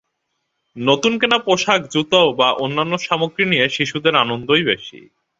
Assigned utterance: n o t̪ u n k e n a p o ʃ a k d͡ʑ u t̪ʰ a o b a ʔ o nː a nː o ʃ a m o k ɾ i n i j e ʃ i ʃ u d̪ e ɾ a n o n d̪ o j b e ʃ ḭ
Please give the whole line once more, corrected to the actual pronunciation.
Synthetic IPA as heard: n o t̪ u n k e n a p o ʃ a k d͡ʑ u t̪ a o b a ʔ o nː a nː o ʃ a m o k ɾ i n i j e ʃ i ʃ u d̪ e ɾ a n o n d̪ o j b e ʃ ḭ